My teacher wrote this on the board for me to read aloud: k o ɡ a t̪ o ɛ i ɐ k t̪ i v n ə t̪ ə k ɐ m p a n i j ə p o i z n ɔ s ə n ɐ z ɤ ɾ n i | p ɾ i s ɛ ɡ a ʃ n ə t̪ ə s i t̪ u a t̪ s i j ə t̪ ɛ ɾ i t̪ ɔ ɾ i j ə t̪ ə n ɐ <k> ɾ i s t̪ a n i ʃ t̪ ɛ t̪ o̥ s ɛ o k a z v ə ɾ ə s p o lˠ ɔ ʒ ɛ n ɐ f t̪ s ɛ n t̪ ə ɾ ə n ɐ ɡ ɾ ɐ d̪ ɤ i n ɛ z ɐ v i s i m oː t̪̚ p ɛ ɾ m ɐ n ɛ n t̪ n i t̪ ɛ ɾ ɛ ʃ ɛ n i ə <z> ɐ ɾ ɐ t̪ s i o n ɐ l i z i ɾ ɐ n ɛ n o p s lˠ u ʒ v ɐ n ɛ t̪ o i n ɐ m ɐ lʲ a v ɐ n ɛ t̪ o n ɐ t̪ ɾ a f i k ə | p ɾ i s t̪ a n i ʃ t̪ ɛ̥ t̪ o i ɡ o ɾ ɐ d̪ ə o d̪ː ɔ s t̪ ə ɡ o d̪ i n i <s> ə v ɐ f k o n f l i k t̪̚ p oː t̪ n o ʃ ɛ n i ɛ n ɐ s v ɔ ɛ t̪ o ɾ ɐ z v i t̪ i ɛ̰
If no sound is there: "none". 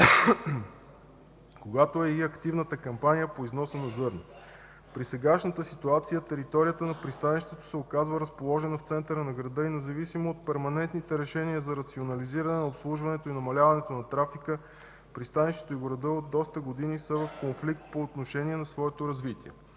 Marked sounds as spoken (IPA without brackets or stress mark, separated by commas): p, z, s